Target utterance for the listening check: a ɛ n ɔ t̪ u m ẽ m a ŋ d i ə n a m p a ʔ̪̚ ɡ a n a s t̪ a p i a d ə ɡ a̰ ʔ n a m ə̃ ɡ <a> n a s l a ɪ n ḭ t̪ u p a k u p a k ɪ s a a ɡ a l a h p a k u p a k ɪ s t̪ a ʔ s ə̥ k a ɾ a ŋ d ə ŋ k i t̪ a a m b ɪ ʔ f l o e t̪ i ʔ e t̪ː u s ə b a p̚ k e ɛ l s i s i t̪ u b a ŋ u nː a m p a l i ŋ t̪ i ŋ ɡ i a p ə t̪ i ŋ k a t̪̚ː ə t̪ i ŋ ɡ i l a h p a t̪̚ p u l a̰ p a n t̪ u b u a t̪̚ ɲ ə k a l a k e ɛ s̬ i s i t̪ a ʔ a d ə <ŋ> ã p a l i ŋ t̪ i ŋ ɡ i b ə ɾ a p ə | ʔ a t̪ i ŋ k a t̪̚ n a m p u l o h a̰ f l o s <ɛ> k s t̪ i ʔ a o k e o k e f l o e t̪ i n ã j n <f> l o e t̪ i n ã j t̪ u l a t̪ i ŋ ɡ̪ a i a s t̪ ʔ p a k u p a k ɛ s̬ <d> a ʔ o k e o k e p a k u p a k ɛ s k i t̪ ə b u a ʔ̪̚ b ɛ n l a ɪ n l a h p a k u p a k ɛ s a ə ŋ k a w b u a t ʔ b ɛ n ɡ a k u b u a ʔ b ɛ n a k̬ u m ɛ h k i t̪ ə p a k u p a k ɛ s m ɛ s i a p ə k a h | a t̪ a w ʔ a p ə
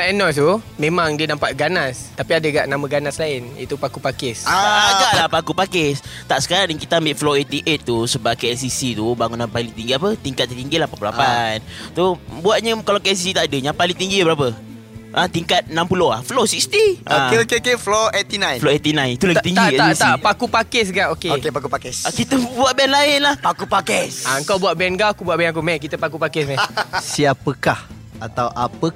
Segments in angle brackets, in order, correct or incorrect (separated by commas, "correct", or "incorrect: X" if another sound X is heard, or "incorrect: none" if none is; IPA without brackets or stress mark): correct, incorrect: ɲ, incorrect: i, correct, incorrect: ɡ